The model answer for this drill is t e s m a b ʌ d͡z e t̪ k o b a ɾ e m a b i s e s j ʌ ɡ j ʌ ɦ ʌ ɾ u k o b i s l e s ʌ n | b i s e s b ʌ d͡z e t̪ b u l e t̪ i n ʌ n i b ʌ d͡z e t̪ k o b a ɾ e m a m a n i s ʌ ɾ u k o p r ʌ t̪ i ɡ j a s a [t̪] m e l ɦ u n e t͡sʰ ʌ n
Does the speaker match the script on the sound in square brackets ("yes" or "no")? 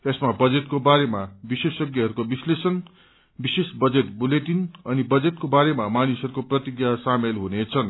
no